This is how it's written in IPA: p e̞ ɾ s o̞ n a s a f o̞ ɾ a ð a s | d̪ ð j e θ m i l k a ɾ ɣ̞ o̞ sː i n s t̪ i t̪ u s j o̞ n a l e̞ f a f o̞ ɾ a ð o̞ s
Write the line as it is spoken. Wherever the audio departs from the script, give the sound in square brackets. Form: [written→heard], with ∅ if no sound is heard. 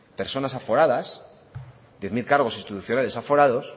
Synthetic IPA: p e̞ ɾ s o̞ n a s a f o̞ ɾ a ð a s | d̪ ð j e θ m i l k a ɾ ɣ̞ o̞ [sː→s] i n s t̪ i t̪ u [s→θ] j o̞ n a l e̞ [f→s] a f o̞ ɾ a ð o̞ s